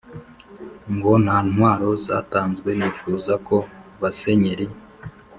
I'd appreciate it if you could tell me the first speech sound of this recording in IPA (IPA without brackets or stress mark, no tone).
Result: ŋ